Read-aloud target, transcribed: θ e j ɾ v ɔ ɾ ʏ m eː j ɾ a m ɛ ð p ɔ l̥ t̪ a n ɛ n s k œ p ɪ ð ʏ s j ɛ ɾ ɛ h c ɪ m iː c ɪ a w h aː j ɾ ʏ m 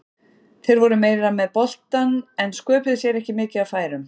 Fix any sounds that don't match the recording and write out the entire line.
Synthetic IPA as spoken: θ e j ɾ v ɔ ɾ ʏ m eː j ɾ a m ɛ ð p ɔ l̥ t̪ a n ɛ n s k œː p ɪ ð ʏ s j ɛ ɾ ɛ h c ɪ m ɪː c ɪ a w f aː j ɾ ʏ m

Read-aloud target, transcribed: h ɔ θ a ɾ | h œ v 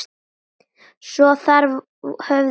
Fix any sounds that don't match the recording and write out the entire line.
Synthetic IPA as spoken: s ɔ θ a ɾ | h œ v

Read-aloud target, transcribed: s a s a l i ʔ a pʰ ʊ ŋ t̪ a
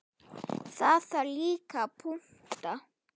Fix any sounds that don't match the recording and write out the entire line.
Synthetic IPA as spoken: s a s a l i k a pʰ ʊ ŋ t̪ a

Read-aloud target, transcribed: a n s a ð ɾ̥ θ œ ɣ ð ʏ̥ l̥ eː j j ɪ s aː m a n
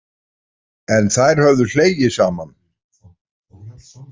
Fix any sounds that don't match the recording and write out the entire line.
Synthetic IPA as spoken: ɛ n θ a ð ɾ̥ h œ v ð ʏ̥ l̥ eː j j ɪ s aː m a n

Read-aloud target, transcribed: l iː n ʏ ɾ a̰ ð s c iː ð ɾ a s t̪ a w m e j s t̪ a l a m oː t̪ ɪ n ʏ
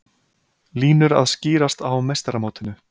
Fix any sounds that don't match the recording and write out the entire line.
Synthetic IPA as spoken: l iː n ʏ ɾ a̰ ð s c iː ɾ a s t̪ a w m e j s t̪ a ɾ a m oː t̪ ɪ n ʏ

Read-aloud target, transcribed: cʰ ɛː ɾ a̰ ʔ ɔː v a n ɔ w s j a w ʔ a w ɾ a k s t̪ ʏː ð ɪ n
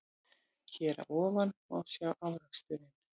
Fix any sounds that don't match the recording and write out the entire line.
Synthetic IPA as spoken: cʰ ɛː ɾ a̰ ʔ ɔː v a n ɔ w s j a w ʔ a w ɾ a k s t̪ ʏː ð ɪ n

